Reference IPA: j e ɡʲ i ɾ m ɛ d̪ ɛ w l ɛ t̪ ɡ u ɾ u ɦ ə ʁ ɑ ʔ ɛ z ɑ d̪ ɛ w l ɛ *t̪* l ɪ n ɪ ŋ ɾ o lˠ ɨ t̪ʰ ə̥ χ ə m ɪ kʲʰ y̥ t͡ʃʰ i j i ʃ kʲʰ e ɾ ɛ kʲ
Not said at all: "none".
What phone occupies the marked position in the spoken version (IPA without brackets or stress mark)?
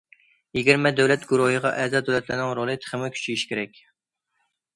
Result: t̪